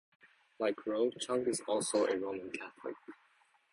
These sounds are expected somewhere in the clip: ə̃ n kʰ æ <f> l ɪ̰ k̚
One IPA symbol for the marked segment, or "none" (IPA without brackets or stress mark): θ